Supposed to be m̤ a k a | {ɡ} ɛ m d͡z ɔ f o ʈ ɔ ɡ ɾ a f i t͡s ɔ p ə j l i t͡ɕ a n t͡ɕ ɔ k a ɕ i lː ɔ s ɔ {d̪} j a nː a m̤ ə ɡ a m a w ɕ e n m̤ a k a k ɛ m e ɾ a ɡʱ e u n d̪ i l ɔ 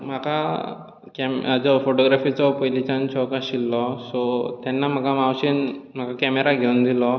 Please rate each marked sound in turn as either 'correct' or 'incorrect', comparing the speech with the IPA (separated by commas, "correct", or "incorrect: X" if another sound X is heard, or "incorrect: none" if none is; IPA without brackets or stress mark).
incorrect: k, incorrect: t̪